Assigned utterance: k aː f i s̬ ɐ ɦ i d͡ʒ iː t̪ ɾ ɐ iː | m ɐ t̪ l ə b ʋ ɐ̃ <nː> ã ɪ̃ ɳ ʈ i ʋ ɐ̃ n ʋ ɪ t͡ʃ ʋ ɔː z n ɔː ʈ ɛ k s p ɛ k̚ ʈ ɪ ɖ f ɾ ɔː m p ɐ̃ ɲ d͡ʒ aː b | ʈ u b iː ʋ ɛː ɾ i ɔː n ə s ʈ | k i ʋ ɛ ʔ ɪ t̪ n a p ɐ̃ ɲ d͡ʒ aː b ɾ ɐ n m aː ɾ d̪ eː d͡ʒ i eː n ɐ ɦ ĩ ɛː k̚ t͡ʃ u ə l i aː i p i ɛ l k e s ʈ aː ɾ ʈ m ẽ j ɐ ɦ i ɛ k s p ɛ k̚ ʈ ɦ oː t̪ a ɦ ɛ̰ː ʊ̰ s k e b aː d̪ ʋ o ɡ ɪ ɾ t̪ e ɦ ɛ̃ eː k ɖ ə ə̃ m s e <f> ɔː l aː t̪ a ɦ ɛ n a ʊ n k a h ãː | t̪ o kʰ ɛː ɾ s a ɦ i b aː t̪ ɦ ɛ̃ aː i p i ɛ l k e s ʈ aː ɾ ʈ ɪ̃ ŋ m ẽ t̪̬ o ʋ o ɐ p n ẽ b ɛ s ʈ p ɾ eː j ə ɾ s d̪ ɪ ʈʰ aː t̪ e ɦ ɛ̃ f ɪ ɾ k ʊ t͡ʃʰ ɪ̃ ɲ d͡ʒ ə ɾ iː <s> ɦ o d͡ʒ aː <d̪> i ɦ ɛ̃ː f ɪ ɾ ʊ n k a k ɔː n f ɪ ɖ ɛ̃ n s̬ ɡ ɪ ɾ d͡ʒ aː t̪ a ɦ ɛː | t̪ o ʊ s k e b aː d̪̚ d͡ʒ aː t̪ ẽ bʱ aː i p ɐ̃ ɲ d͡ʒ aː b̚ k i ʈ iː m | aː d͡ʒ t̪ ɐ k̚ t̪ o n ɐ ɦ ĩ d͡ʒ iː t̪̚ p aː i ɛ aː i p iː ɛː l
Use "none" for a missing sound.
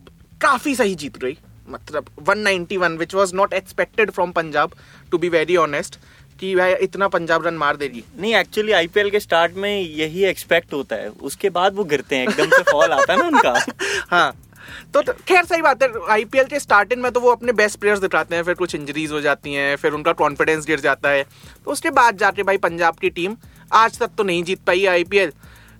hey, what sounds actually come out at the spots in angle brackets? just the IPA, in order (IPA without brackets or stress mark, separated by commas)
nː, f, z, t̪